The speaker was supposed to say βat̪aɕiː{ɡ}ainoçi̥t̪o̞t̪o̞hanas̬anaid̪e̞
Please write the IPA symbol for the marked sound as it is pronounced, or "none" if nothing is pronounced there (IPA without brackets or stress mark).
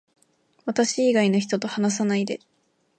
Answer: ɡ